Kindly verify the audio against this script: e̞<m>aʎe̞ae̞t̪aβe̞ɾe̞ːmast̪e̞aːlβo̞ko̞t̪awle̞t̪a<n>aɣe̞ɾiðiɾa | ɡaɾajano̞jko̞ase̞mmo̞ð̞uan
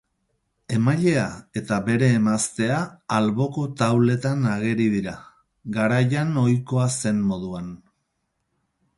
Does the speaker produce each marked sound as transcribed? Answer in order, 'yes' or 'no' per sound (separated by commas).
yes, yes